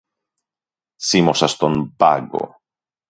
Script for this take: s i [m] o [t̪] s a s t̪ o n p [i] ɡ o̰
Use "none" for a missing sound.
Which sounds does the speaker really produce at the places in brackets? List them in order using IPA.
m, none, a

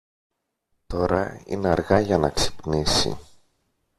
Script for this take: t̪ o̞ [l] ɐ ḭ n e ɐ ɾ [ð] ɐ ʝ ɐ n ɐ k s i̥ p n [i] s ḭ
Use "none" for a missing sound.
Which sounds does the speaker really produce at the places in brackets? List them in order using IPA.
ɾ, ɣ, i

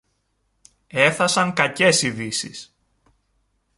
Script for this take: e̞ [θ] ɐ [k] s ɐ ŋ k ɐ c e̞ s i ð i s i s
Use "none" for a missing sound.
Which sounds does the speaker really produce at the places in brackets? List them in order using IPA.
θ, none

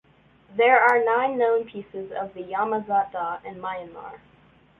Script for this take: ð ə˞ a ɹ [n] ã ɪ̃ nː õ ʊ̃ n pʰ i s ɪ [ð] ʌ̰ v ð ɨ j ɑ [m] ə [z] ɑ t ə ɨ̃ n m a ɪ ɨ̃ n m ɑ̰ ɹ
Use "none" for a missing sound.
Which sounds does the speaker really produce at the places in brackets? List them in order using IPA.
n, z, m, z

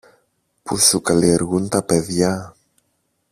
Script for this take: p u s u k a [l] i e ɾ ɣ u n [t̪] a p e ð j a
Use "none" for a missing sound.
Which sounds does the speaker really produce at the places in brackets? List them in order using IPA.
l, t̪

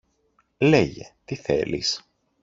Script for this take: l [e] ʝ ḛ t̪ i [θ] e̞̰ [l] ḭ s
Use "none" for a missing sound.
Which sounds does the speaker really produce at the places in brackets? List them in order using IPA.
e, θ, l

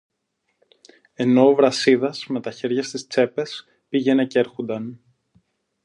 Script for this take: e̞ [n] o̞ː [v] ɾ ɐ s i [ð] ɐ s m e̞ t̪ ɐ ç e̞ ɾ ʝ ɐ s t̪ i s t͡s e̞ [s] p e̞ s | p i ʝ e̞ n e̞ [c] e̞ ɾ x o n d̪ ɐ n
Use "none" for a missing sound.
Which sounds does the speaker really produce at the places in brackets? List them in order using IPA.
n, v, ð, none, c

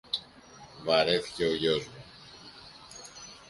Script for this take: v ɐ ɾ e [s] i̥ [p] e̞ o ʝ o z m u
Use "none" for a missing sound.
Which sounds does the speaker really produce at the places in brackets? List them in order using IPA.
θ, c

